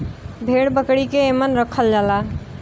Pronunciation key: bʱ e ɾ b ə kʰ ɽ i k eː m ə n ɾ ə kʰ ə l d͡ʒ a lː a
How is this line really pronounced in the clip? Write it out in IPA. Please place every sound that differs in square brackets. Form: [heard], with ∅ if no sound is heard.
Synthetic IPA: bʱ e [ɽ] b ə [k] ɽ i k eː m ə n ɾ ə kʰ ə l d͡ʒ a [l] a